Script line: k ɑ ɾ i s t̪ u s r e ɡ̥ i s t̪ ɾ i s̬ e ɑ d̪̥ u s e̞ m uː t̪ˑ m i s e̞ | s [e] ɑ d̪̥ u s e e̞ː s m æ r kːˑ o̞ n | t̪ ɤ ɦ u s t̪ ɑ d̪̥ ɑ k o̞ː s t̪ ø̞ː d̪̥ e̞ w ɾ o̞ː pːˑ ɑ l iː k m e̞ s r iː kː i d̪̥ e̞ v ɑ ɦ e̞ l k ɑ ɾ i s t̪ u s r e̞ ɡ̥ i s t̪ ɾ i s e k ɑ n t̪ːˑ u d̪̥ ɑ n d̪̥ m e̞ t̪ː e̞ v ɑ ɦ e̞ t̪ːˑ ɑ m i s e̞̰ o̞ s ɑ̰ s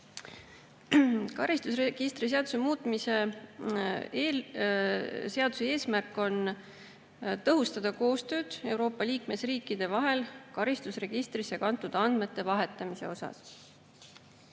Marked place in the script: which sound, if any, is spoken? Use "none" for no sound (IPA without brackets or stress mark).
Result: e